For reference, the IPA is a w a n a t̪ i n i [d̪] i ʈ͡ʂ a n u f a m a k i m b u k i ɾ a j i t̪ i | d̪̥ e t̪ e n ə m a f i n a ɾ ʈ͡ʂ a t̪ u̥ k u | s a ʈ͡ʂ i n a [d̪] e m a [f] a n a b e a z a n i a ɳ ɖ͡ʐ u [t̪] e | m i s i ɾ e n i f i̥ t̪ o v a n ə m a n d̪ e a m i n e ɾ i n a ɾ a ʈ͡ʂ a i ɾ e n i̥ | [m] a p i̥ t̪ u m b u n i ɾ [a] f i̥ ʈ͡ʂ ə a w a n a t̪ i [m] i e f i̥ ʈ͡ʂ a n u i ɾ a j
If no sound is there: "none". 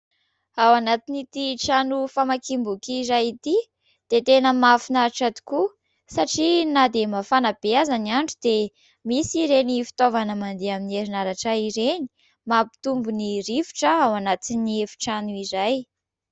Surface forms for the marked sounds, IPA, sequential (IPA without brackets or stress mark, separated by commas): t̪, d̪, f, d̪, m, i, n